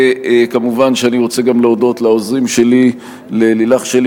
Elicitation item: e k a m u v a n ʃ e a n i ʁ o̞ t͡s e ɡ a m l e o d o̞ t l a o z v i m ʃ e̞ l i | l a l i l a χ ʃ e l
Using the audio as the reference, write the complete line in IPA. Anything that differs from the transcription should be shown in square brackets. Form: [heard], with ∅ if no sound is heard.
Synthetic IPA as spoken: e k a m u v a n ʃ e a n i ʁ o̞ t͡s e ɡ a m l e o d o̞ t l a o z [ʁ] i m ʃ e̞ l i | l [e] l i l a χ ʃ e l